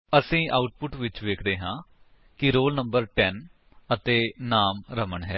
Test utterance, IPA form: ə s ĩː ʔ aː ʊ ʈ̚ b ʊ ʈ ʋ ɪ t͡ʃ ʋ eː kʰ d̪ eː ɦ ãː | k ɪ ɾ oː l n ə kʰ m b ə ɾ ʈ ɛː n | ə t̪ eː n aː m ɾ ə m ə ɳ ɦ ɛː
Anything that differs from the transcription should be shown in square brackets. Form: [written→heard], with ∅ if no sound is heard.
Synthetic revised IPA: ə s ĩː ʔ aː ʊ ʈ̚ [b→p] ʊ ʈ ʋ ɪ t͡ʃ ʋ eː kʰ d̪ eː ɦ ãː | k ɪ ɾ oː l n ə [kʰ→∅] m b ə ɾ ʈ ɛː n | ə t̪ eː n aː m ɾ ə m ə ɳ ɦ ɛː